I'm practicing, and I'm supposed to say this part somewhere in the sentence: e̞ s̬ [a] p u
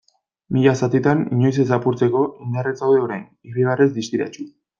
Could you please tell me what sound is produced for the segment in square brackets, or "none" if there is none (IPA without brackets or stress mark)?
a